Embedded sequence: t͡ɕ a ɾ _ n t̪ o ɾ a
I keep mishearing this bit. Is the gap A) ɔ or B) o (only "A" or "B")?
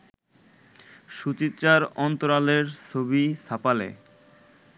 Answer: A